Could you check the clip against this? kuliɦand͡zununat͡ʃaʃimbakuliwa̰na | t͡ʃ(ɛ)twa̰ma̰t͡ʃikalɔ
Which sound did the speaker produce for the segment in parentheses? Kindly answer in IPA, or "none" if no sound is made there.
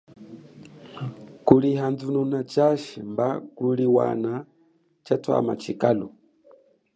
a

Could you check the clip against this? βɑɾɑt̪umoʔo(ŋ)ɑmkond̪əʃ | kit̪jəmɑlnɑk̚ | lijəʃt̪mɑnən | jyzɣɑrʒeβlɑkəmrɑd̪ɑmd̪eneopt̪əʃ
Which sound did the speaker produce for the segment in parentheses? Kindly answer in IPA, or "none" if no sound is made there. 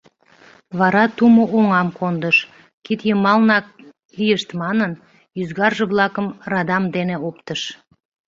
ŋ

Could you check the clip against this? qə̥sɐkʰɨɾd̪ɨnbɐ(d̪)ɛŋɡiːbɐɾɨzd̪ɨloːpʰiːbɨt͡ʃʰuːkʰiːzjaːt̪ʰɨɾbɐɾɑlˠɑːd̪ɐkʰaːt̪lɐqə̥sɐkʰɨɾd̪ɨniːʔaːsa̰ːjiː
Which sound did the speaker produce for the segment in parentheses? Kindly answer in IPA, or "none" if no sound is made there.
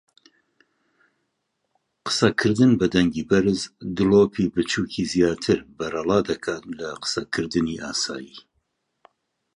d̪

